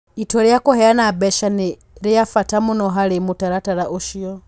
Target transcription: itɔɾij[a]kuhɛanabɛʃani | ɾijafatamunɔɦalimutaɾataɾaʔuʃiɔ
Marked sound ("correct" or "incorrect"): correct